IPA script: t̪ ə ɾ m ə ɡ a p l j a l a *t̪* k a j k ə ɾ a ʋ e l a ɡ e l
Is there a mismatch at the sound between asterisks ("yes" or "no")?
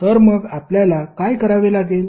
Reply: yes